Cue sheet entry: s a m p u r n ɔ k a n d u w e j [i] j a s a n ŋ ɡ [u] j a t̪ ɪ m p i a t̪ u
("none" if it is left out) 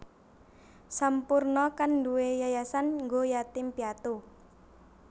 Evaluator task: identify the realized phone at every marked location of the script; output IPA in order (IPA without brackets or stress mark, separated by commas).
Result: a, o